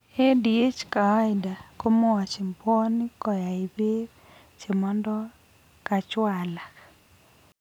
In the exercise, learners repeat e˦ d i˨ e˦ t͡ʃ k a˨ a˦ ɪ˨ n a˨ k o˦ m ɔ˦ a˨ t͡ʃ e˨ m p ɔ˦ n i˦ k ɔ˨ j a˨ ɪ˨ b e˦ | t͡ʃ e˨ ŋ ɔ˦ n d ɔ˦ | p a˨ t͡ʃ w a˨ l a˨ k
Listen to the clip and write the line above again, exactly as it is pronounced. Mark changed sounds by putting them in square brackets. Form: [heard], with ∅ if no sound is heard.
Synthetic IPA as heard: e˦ d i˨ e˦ t͡ʃ k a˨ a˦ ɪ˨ [d] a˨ k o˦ m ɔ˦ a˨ t͡ʃ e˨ m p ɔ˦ n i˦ k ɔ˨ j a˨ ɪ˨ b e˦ | t͡ʃ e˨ [m] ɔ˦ n d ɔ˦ | [k] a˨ t͡ʃ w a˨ l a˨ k